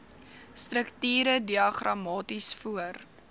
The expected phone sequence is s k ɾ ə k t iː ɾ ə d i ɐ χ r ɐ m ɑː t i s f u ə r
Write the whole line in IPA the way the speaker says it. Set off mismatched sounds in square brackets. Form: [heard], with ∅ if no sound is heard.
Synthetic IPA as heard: s [t] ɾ ə k t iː ɾ ə d i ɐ χ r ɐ m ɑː t i s f u ə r